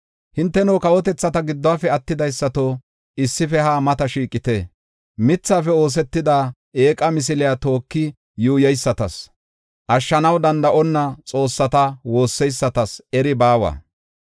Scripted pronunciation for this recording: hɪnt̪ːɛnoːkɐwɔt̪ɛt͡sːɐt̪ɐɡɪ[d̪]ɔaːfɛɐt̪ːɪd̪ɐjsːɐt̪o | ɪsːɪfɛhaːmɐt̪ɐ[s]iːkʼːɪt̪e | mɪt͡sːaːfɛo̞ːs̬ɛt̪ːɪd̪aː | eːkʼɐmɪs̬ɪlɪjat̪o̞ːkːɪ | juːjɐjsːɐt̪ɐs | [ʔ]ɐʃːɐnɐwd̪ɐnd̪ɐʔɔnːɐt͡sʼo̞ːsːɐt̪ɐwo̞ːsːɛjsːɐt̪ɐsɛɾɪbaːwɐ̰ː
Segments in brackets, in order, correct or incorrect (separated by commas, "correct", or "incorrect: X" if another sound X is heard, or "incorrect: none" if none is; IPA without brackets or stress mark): incorrect: d̪ː, incorrect: ʃ, correct